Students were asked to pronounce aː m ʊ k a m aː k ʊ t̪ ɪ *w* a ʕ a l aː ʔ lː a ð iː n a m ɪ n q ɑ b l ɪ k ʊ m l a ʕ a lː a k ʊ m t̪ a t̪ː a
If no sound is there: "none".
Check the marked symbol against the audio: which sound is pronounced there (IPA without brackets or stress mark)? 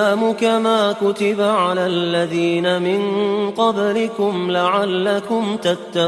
b